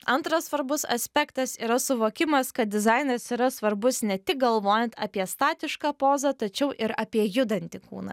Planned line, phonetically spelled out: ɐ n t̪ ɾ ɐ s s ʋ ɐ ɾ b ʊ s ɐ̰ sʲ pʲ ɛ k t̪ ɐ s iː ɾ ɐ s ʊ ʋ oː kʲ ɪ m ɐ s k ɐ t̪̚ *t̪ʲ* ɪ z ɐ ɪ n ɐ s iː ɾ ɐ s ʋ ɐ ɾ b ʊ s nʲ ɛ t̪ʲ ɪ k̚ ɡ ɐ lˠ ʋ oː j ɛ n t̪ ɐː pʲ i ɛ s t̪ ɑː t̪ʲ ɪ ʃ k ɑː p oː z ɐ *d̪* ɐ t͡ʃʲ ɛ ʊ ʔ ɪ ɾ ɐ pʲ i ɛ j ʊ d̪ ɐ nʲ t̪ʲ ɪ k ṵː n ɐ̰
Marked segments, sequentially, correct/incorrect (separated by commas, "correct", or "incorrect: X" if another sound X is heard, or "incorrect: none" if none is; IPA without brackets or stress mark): incorrect: d̪ʲ, incorrect: t̪